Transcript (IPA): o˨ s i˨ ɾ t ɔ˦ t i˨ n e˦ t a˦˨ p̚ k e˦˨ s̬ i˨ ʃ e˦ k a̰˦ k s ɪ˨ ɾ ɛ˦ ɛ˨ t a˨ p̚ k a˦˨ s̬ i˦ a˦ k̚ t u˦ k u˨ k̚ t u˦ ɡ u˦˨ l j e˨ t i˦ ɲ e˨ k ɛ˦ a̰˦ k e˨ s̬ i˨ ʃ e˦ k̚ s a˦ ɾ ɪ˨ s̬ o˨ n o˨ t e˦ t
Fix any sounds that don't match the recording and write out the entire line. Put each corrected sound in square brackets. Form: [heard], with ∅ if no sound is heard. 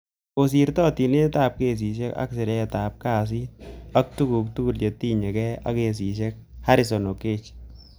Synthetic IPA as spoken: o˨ s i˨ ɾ t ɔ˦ t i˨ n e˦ t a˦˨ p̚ k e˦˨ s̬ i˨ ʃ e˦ k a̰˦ k s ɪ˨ ɾ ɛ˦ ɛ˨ t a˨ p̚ k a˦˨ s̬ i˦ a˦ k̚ t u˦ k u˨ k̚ t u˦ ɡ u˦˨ l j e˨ t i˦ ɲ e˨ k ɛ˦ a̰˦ k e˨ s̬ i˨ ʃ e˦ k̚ [h] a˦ ɾ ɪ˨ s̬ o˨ n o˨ [k] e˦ [t͡ʃ]